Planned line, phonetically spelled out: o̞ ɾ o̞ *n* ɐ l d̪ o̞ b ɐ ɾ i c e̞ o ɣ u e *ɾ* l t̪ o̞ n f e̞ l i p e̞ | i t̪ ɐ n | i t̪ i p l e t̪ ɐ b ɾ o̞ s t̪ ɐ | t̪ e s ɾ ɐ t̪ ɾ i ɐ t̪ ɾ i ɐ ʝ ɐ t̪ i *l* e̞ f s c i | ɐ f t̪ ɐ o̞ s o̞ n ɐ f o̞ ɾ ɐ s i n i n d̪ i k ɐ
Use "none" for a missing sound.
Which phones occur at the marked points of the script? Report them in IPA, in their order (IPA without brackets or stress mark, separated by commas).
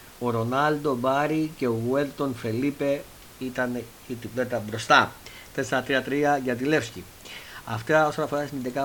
n, none, l